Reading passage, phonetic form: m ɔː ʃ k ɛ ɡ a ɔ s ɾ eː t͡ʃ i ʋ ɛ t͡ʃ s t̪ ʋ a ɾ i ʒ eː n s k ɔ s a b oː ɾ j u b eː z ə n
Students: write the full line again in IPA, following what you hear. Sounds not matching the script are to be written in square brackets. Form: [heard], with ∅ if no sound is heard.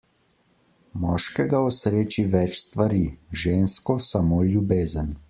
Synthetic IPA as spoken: m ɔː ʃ k ɛ ɡ a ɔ s ɾ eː t͡ʃ i ʋ ɛ t͡ʃ s t̪ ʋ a ɾ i ʒ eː n s k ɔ s a [m] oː [l] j u b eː z ə n